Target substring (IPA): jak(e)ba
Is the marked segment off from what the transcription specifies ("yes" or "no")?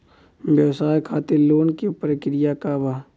yes